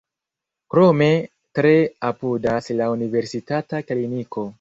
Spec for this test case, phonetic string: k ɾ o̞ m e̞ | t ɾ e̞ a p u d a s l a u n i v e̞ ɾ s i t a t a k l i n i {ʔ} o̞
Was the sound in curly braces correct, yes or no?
no